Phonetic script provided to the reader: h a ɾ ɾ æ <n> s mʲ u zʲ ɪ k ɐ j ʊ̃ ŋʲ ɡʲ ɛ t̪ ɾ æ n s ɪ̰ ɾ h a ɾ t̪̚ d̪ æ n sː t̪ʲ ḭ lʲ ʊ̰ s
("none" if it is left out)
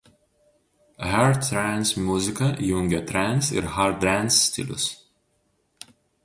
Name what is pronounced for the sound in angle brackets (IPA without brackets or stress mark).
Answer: n